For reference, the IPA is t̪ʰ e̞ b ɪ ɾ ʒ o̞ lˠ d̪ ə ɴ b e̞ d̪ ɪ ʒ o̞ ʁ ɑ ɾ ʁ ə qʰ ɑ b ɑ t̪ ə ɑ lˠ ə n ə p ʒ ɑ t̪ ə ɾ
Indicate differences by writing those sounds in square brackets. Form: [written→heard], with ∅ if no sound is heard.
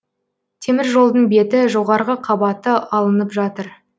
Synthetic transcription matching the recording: t̪ʰ e̞ [b→m] ɪ ɾ ʒ o̞ lˠ d̪ ə ɴ b e̞ [d̪→t̪] ɪ ʒ o̞ ʁ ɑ ɾ ʁ ə qʰ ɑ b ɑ t̪ ə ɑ lˠ ə n ə p ʒ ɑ t̪ ə ɾ